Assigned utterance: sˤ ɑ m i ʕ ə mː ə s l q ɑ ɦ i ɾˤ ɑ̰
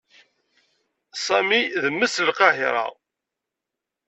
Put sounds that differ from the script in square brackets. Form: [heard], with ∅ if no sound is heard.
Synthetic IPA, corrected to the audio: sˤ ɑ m i [ð] ə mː ə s l q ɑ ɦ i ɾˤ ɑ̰